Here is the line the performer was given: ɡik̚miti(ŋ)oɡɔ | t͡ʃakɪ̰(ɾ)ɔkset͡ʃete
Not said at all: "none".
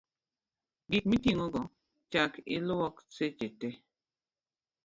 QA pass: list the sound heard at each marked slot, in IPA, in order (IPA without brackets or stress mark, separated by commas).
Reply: ŋ, l